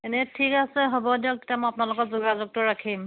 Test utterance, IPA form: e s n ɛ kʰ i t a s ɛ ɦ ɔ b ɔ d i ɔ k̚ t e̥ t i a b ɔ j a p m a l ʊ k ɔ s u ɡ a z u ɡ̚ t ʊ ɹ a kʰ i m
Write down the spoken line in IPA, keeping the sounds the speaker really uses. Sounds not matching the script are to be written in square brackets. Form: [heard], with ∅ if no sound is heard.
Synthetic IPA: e [∅] n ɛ [tʰ] i [k] a s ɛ ɦ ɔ b ɔ d i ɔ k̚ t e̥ t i a [m] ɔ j a p [n] a l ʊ k ɔ [z] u ɡ a z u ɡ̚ t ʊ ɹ a kʰ i m